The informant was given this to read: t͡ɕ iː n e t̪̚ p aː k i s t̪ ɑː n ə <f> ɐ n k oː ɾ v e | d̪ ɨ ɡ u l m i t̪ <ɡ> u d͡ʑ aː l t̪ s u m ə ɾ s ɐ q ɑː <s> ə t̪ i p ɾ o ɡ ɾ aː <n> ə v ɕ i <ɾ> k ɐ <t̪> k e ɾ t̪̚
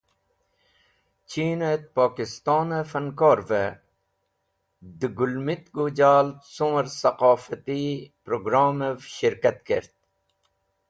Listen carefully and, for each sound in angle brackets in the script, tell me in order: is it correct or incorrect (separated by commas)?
correct, correct, incorrect, incorrect, correct, correct